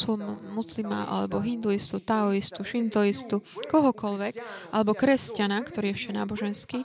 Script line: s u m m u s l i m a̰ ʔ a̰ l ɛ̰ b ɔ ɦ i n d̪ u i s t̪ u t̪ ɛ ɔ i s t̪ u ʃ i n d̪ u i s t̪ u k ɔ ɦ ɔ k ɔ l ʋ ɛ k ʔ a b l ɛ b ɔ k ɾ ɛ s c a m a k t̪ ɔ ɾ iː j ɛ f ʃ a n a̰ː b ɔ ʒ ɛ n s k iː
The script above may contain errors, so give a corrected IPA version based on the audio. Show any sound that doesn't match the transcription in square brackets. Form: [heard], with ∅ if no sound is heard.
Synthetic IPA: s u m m u s l i m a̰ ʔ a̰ l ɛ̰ b ɔ ɦ i n d̪ u i s t̪ u t̪ [a] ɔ i s t̪ u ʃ i n d̪ u i s t̪ u k ɔ ɦ ɔ k ɔ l ʋ ɛ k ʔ a [∅] l ɛ b ɔ k ɾ ɛ s c a [n] a k t̪ ɔ ɾ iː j ɛ f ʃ a n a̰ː b ɔ ʒ ɛ n s k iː